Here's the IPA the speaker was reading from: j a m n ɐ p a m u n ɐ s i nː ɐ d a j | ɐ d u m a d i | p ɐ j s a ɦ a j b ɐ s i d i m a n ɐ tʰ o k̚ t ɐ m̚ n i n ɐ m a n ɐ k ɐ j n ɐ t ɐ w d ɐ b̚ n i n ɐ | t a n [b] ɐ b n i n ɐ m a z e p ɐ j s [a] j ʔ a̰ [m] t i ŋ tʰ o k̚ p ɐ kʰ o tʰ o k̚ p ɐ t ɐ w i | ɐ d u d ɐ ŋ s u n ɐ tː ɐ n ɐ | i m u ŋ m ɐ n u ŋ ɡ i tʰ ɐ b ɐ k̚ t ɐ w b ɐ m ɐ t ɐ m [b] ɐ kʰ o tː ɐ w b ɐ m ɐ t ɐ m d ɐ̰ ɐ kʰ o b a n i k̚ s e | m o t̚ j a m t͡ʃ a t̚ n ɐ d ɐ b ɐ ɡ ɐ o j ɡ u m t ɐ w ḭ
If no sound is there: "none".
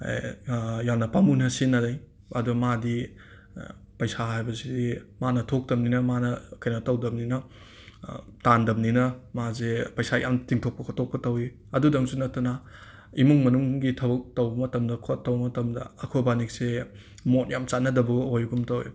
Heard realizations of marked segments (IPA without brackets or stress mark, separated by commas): d, a, m, d